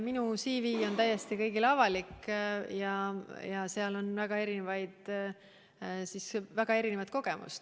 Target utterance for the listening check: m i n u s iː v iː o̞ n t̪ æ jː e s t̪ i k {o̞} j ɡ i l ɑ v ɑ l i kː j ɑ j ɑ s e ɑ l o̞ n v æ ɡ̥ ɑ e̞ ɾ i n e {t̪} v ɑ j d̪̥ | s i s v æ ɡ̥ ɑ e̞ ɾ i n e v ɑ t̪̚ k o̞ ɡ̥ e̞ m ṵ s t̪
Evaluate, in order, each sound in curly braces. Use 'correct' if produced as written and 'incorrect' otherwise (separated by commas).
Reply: incorrect, incorrect